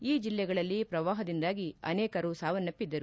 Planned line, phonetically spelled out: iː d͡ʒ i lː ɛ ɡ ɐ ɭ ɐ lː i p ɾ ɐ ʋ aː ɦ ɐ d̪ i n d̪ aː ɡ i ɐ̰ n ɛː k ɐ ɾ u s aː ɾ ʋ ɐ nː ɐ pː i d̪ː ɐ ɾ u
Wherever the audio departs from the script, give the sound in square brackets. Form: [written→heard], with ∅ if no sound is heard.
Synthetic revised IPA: iː d͡ʒ i lː ɛ ɡ ɐ ɭ ɐ lː i p ɾ ɐ ʋ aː ɦ ɐ d̪ i n d̪ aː ɡ i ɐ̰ n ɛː k ɐ ɾ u s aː [ɾ→∅] ʋ ɐ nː ɐ pː i d̪ː ɐ ɾ u